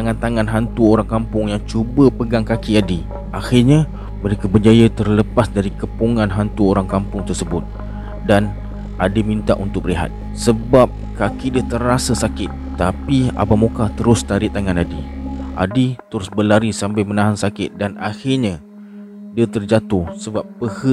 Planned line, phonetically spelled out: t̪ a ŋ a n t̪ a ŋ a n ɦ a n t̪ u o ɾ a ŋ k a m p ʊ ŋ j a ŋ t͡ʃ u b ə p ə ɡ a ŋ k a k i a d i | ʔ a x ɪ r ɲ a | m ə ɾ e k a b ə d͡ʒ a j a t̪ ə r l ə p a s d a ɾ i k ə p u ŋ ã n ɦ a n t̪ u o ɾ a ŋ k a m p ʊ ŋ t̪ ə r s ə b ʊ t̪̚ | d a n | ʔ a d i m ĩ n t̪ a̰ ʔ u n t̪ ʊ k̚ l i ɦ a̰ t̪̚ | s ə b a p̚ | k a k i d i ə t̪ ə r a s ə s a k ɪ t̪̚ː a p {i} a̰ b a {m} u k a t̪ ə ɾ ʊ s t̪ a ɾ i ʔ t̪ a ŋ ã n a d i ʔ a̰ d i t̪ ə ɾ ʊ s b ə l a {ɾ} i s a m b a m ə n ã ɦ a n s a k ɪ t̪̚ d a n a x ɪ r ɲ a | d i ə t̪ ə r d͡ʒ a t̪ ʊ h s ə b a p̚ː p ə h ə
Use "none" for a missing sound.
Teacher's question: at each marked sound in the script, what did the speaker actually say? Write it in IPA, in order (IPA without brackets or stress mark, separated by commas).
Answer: i, m, ɾ